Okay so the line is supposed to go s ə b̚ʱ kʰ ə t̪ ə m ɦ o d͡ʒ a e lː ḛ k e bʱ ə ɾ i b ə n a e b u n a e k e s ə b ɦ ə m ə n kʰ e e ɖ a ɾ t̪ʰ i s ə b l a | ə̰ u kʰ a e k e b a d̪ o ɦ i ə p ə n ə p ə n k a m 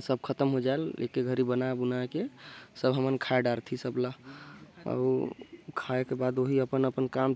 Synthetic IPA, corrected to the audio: s ə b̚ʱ kʰ ə t̪ ə m ɦ o d͡ʒ a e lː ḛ k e ɡʱ ə ɾ i b ə n a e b u n a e k e s ə b ɦ ə m ə n kʰ a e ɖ a ɾ t̪ʰ i s ə b l a | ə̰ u kʰ a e k e b a d̪ o ɦ i ə p ə n ə p ə n k a m

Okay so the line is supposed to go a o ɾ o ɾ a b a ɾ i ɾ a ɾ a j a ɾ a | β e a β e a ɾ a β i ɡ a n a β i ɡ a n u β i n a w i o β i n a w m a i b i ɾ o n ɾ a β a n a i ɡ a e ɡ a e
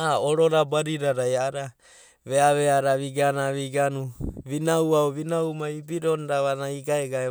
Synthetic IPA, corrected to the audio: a o ɾ o ɾ a b a ɾ i ɾ a ɾ a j a ɾ a | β e a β e a ɾ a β i ɡ a n a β i ɡ a n u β i n a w a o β i n a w m a i b i ɾ o n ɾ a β a n a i ɡ a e ɡ a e

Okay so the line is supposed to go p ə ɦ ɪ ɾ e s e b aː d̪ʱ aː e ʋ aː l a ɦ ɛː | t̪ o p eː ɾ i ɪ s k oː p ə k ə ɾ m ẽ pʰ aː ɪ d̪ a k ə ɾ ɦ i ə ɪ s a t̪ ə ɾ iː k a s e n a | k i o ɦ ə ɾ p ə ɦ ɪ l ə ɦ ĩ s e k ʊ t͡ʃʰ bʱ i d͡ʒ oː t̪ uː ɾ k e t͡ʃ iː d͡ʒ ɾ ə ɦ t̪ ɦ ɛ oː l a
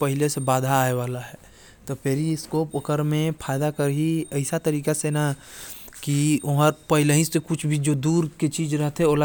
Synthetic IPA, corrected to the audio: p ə ɦ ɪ l e s e b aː d̪ʱ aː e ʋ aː l a ɦ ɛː | t̪ o p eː ɾ i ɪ s k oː p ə k ə ɾ m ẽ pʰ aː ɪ d̪ a k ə ɾ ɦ i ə ɪ s a t̪ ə ɾ iː k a s e n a | k i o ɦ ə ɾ p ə ɦ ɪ l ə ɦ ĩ s e k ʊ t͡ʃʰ bʱ i d͡ʒ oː d̪ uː ɾ k e t͡ʃ iː d͡ʒ ɾ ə ɦ t̪ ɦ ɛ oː l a

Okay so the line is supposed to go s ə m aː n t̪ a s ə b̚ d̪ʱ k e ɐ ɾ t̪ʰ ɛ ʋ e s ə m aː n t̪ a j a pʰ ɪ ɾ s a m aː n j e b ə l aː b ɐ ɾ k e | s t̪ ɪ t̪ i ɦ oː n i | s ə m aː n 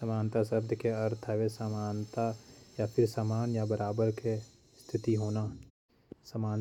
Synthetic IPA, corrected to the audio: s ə m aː n t̪ a s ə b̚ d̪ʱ k e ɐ ɾ t̪ʰ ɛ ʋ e s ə m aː n t̪ a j a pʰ ɪ ɾ s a m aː n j a b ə ɾ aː b ə ɾ k e | s t̪ʰ ɪ t̪ i ɦ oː n a | s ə m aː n

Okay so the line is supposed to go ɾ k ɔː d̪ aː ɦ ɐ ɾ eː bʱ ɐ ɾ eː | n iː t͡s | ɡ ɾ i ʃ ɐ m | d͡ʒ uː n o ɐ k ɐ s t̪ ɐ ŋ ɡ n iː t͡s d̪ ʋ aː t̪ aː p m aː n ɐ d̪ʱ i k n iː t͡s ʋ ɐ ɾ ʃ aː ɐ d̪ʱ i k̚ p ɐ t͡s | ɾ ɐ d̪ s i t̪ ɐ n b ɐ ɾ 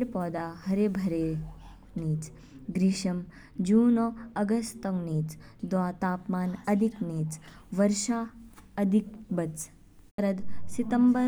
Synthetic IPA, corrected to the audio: ɾ p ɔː d̪ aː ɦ ɐ ɾ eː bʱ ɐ ɾ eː | n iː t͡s | ɡ ɾ i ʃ ɐ m | d͡ʒ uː n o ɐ ɡ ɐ s t̪ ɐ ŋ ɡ n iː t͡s d̪ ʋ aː t̪ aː p m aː n ɐ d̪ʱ i k n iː t͡s ʋ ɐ ɾ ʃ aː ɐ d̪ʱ i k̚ b ɐ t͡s | ɾ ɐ d̪ s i t̪ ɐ m b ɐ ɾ

